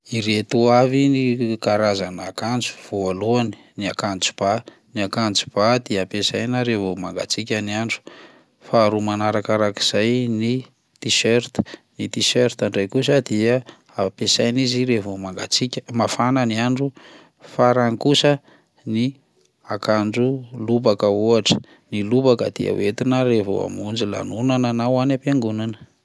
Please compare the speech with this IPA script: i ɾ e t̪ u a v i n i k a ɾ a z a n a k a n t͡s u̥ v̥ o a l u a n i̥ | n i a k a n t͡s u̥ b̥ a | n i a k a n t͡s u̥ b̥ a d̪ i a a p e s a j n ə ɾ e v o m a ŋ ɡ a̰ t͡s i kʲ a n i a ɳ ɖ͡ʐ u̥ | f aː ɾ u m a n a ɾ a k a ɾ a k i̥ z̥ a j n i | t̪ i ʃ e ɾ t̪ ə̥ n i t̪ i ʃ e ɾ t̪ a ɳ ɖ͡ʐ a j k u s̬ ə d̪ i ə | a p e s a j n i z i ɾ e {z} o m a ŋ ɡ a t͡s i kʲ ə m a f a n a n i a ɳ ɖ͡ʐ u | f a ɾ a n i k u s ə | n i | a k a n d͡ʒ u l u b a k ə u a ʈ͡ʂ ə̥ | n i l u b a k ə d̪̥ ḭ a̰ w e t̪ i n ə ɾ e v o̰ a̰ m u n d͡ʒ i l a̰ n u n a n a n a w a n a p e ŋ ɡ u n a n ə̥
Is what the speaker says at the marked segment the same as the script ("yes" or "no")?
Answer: no